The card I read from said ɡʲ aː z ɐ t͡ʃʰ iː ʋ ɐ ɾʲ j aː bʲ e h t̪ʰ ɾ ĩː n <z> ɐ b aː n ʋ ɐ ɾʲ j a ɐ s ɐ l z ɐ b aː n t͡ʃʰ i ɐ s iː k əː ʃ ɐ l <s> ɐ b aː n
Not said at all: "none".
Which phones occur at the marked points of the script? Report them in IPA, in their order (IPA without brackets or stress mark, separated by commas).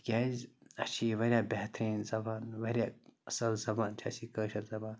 z, z